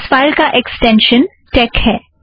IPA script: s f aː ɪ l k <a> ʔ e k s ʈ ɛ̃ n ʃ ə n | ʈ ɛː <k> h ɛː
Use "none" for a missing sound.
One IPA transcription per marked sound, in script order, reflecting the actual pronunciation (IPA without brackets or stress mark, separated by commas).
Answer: a, k